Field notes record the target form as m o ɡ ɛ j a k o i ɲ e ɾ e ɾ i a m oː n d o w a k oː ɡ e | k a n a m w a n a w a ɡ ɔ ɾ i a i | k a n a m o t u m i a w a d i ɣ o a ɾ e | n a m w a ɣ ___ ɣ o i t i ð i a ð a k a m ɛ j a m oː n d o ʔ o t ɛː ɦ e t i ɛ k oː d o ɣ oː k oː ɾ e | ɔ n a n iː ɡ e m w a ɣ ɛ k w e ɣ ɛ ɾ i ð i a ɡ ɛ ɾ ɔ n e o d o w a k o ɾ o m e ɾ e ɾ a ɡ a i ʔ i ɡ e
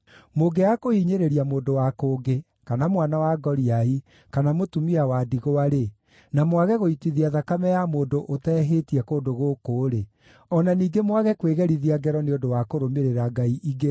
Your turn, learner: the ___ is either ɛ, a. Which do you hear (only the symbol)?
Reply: ɛ